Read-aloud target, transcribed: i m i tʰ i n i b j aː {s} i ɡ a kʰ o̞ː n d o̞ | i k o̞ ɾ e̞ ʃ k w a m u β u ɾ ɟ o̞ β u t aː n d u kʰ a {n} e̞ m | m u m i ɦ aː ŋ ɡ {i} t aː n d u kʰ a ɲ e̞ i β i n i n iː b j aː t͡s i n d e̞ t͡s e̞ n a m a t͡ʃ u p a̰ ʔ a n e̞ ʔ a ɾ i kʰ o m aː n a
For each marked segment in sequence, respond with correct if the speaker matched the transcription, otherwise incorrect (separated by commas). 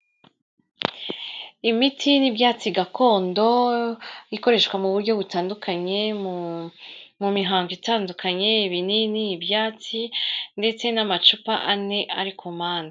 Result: incorrect, incorrect, correct